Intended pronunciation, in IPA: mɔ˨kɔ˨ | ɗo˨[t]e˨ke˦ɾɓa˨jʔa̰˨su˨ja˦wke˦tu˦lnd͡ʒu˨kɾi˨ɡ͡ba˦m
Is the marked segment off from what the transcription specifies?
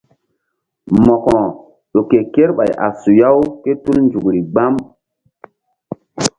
yes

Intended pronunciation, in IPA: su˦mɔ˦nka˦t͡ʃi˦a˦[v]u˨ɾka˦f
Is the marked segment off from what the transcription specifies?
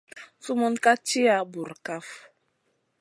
yes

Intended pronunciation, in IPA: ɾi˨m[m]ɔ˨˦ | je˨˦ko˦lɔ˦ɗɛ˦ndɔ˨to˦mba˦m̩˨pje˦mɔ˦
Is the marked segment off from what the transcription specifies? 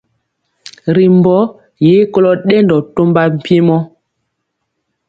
yes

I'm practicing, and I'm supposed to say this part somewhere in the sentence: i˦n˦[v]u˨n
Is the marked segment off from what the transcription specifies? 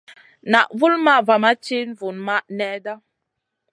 no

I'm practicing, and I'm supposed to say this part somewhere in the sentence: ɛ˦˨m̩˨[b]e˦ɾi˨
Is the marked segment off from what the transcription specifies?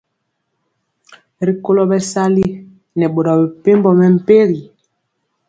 yes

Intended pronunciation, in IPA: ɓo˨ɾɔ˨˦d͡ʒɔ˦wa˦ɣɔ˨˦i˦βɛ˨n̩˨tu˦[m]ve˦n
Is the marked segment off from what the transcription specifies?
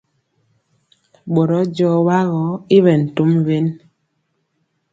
no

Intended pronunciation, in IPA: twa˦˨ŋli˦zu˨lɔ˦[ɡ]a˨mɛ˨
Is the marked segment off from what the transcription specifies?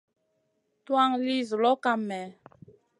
yes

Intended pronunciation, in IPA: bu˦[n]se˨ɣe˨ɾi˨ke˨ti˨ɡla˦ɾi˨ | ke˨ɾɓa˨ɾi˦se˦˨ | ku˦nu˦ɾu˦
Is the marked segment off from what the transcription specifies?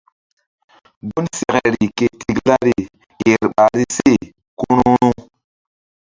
no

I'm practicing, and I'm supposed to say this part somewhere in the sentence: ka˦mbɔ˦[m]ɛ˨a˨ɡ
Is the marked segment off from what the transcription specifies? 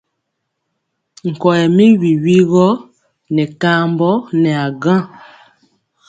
yes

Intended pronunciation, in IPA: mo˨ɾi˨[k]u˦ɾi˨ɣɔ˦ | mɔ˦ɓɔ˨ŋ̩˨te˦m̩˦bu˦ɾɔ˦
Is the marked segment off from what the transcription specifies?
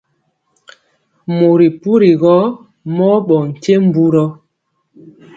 yes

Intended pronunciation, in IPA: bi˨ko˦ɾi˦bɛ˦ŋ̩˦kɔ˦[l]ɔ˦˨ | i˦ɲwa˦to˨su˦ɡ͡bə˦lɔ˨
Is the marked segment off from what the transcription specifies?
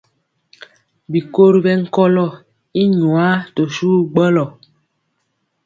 no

